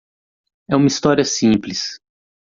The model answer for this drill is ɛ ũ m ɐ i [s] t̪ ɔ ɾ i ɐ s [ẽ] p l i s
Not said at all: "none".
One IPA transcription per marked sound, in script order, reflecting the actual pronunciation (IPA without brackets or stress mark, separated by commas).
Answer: s, ĩ